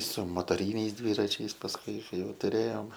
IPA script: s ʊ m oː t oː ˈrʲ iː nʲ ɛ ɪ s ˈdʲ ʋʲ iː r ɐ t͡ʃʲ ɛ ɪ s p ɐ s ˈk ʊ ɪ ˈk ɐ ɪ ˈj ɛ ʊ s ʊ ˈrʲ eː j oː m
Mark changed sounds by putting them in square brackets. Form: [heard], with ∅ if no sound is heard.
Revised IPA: s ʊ m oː t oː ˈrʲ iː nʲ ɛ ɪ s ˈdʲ ʋʲ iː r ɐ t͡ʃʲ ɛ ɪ s p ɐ s ˈk ʊ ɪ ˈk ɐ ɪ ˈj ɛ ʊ [t] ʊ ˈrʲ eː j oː m